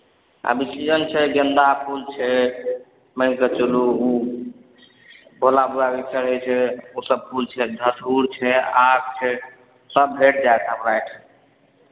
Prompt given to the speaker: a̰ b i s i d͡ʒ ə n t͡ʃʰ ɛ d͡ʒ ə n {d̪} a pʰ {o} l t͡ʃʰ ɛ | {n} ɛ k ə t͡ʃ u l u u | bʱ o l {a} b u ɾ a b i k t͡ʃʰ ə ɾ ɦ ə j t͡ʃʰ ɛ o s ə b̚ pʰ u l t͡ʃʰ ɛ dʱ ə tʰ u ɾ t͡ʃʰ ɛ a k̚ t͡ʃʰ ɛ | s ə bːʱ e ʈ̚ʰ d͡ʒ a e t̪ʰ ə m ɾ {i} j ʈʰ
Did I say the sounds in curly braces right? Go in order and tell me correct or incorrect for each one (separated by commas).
correct, incorrect, incorrect, correct, incorrect